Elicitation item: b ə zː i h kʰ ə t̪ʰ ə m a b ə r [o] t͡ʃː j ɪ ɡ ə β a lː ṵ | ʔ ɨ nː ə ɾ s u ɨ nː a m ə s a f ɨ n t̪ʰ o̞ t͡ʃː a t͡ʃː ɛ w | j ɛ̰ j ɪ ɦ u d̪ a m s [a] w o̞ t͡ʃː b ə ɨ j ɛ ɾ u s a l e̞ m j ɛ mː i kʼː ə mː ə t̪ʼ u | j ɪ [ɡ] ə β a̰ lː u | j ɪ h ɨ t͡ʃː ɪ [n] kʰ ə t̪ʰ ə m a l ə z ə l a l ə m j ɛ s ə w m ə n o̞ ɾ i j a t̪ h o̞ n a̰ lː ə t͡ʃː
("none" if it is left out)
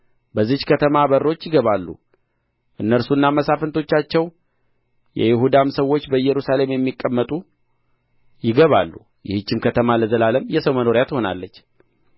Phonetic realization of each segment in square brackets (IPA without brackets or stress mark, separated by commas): o, ə, ɡ, m